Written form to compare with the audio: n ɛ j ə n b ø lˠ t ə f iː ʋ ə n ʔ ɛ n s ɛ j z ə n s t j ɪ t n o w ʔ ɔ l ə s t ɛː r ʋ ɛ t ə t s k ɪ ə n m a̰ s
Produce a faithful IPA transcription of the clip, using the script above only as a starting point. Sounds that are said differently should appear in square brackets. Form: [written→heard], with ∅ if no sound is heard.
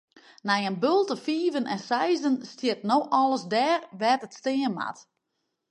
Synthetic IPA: n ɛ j ə n b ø lˠ t ə f iː [ʋ→v] ə n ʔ ɛ n s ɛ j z ə n s t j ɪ t n o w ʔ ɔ l ə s [t→d] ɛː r ʋ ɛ t ə t s [k→t] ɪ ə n m a̰ [s→t]